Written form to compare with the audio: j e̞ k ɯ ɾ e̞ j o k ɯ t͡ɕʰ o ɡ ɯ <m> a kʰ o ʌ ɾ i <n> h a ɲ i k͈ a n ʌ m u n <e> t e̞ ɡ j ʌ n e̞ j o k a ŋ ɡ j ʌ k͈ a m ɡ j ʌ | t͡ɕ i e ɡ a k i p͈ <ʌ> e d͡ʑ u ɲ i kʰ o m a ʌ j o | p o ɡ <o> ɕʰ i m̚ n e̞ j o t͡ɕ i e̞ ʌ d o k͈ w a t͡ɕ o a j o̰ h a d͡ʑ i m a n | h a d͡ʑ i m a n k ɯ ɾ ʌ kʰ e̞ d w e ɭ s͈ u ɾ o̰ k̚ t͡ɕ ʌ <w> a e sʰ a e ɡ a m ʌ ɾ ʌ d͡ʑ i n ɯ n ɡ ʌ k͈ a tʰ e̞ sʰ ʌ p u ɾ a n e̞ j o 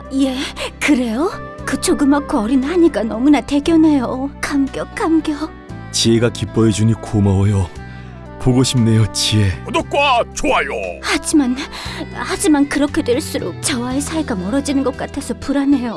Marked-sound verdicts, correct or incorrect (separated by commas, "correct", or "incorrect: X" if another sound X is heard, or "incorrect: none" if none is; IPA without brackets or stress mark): correct, correct, incorrect: a, correct, correct, correct